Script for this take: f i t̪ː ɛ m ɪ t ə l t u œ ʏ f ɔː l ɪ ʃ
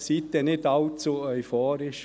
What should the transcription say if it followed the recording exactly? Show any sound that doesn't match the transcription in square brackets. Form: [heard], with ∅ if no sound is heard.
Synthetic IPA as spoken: [s] i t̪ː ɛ [n] ɪ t [ɑ] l [t͡s] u œ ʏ f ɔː [ɾ] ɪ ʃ